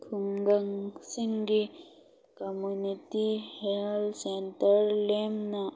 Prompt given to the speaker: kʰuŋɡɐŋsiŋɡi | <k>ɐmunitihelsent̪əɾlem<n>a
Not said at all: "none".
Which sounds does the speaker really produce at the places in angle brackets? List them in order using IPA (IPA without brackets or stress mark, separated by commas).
k, n